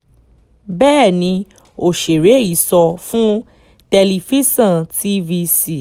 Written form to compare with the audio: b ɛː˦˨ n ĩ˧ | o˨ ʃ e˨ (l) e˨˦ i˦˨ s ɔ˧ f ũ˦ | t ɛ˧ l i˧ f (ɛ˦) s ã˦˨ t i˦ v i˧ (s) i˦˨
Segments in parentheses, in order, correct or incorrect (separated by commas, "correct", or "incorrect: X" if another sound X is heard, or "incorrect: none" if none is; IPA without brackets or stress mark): incorrect: ɾ, incorrect: i˦, correct